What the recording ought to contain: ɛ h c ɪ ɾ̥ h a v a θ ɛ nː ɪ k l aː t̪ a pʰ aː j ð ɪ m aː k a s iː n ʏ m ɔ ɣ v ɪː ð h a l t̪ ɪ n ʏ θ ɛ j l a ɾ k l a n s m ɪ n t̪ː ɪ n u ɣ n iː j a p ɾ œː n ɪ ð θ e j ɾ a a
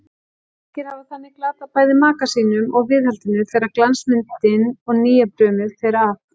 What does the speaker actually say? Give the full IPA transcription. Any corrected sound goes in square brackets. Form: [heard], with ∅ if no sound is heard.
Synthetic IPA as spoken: ɛ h c ɪ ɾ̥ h a v a θ [a] nː ɪ k l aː t̪ a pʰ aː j ð ɪ m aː k a s iː n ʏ m ɔ ɣ v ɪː ð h a l t̪ ɪ n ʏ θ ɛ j [ɾ] a ɾ k l a n s m ɪ n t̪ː ɪ n [ɔ] ɣ n iː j a p ɾ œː [m] ɪ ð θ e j ɾ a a